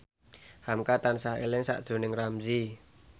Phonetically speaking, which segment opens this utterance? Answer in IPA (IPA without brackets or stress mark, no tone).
h